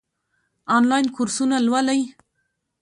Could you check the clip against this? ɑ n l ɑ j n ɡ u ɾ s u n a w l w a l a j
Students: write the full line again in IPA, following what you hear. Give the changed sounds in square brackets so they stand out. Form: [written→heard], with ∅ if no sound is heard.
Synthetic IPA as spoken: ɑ n l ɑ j n [ɡ→k] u ɾ s u n a [w→∅] l w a l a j